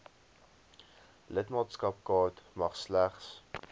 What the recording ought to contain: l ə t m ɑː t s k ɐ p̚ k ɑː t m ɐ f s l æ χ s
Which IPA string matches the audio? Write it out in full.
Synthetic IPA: l ə t m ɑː t s k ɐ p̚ k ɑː t m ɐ χ s l æ χ s